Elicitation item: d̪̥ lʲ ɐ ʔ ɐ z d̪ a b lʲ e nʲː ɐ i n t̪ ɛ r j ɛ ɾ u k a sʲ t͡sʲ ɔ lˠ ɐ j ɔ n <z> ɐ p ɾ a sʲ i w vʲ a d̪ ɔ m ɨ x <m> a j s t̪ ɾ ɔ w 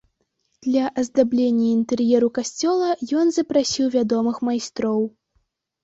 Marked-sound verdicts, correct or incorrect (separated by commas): correct, correct